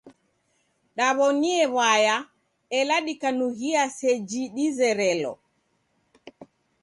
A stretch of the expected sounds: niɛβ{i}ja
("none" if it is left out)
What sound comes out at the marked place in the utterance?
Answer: a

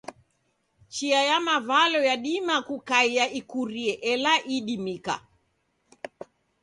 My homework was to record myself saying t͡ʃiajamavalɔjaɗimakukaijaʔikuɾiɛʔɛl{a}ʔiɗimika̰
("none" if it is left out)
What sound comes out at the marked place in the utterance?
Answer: a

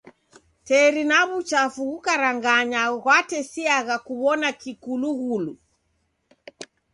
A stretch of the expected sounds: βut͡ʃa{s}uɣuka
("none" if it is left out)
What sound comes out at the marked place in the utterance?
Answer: f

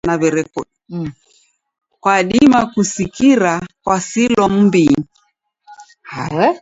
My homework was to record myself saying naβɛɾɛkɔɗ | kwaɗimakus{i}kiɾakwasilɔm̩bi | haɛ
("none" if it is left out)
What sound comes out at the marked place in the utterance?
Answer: i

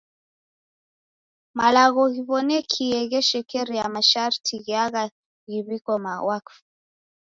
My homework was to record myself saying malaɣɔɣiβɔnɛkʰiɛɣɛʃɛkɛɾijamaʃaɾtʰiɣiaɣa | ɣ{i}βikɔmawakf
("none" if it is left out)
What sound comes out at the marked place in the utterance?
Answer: i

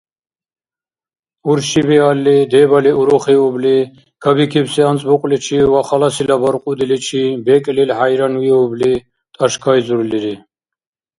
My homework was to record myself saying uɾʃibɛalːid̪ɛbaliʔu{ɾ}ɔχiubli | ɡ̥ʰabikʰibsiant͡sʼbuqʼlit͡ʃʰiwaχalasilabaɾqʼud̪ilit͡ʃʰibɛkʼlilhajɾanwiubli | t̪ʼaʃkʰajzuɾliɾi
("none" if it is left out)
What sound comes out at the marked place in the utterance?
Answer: ɾ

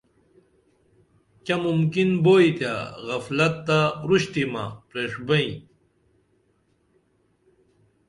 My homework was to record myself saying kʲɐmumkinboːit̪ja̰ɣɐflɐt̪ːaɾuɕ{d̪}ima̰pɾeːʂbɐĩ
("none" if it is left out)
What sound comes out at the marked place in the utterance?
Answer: t̪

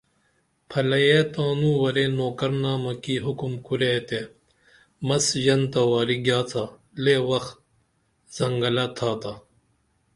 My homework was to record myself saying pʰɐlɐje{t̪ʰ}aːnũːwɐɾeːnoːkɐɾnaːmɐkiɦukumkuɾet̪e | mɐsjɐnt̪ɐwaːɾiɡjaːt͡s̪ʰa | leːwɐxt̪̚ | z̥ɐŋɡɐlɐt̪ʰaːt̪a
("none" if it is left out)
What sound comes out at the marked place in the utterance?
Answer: t̪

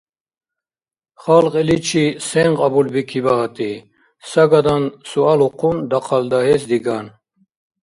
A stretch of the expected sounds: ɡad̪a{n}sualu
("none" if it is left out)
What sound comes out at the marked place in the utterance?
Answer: n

